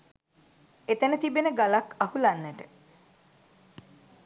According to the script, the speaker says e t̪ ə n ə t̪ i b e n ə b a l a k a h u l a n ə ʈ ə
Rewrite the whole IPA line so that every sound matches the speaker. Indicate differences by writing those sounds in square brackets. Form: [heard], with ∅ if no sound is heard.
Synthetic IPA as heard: e t̪ ə n ə t̪ i b e n ə [ɡ] a l a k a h u l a [nː] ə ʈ ə